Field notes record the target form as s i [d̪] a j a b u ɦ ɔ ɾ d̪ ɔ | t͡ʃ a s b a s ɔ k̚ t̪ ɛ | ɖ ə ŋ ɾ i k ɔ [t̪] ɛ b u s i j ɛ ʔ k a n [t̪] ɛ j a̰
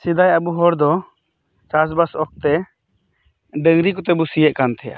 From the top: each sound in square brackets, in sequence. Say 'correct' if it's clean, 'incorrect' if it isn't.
correct, correct, incorrect: t̪ʰ

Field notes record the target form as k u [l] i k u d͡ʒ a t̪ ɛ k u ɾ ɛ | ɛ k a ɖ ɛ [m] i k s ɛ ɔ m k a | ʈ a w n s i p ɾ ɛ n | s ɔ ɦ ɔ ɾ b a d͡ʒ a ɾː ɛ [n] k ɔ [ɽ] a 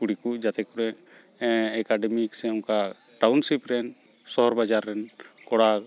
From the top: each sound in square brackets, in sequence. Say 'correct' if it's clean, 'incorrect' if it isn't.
incorrect: ɽ, correct, correct, correct

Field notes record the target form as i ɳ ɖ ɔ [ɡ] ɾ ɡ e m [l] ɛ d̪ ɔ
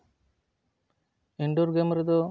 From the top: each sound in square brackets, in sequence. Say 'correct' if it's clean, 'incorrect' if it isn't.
incorrect: none, incorrect: ɾ

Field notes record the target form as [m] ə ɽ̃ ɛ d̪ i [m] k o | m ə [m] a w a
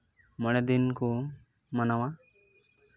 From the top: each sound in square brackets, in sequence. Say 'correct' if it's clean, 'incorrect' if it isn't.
correct, incorrect: n, incorrect: n

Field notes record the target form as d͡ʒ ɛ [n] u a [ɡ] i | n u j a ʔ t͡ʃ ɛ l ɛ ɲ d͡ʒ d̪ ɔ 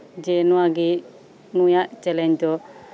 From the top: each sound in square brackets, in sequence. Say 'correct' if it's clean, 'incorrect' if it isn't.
correct, correct

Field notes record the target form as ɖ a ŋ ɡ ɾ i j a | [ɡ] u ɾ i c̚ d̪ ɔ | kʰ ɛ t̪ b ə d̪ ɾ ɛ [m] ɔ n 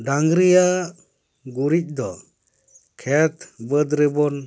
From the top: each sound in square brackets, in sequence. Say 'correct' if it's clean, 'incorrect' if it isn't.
correct, incorrect: b

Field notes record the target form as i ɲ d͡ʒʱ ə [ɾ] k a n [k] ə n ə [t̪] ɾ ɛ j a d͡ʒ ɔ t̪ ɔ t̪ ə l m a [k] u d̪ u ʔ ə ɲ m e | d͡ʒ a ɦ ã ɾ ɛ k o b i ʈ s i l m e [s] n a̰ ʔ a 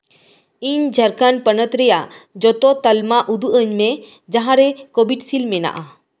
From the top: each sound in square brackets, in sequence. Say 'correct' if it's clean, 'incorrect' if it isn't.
correct, incorrect: p, correct, incorrect: ʔ, incorrect: none

